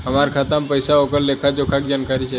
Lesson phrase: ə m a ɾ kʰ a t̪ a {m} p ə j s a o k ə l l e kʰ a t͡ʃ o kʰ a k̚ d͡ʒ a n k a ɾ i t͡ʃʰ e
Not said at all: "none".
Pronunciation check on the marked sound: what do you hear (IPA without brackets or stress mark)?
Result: m